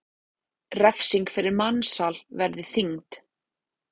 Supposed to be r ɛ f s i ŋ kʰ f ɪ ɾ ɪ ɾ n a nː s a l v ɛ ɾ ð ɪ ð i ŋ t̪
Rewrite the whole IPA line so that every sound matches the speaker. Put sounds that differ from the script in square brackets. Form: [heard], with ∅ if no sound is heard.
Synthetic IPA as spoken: r ɛ f s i ŋ [k] f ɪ ɾ ɪ ɾ [m] a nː s a l v ɛ ɾ ð ɪ [θ] i ŋ t̪